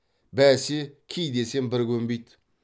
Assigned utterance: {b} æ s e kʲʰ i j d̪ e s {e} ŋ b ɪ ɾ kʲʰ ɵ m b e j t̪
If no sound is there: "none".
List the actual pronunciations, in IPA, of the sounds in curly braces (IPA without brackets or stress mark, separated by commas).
b, e